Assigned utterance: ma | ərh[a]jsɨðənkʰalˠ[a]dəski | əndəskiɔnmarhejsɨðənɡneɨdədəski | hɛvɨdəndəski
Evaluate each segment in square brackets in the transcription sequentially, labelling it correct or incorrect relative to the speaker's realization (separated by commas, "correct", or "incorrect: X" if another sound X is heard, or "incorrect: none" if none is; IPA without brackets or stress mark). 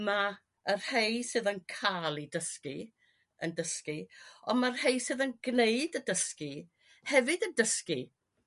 incorrect: e, incorrect: i